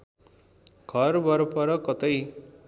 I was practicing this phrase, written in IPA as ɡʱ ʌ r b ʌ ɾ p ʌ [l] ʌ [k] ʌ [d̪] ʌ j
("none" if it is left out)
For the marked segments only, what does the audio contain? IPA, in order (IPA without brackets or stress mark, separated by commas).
ɾ, k, t̪